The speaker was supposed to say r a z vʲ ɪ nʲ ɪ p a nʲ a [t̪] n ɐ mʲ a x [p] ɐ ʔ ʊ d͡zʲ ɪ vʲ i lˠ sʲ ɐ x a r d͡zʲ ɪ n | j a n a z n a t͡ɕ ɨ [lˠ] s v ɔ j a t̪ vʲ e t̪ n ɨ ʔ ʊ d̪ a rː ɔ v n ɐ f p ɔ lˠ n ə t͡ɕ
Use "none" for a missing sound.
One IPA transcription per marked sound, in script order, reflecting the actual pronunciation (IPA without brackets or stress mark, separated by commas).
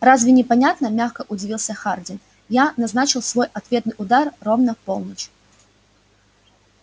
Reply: t̪, k, lˠ